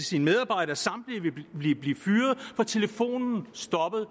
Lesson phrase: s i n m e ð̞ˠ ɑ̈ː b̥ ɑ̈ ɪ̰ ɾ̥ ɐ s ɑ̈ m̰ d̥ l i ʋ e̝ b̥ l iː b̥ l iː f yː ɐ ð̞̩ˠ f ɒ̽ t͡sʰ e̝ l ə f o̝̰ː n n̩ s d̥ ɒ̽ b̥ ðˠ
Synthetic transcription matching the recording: s i n m e ð̞ˠ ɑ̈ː b̥ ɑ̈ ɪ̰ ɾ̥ ɐ s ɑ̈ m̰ d̥ l i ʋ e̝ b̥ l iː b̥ l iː f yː ɐ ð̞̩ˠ f ɒ̽ t͡sʰ e̝ l ə f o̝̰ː n n̩ s d̥ ɒ̽ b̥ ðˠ